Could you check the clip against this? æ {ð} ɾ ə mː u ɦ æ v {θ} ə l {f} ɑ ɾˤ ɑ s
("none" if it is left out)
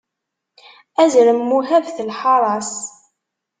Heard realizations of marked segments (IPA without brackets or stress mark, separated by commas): z, θ, ħ